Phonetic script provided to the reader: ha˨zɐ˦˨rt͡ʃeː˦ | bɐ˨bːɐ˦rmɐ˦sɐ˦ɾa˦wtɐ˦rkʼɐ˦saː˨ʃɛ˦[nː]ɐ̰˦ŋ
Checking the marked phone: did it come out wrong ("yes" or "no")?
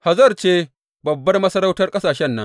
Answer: no